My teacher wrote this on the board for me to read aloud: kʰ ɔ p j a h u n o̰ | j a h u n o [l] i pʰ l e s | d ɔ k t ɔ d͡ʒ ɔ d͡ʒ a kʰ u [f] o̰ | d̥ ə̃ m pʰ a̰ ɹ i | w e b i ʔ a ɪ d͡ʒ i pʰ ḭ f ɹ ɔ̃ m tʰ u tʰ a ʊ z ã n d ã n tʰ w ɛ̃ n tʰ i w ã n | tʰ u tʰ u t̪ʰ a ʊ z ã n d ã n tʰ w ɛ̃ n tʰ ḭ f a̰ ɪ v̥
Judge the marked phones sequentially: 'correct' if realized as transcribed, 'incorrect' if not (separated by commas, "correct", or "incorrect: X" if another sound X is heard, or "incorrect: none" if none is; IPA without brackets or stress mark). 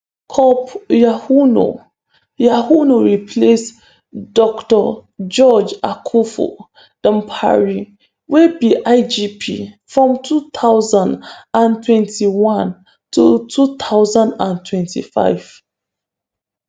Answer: incorrect: ɹ, correct